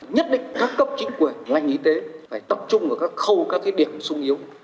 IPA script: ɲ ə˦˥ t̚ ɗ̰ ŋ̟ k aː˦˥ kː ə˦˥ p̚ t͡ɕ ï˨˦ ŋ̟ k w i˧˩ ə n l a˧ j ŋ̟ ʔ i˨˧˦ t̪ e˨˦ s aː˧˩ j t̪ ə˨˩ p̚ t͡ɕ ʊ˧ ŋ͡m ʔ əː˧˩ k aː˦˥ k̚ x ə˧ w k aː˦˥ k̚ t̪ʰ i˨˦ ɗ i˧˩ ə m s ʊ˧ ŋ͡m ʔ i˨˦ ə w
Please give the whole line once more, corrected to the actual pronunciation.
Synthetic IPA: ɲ ə˦˥ t̚ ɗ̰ ŋ̟ k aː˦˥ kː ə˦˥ p̚ t͡ɕ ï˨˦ ŋ̟ k w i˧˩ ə n l a˧ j ŋ̟ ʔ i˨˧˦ t̪ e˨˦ f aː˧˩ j t̪ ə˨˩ p̚ t͡ɕ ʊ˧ ŋ͡m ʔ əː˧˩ k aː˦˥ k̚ x ə˧ w k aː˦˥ k̚ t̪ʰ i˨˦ ɗ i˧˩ ə m s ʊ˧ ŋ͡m ʔ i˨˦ ə w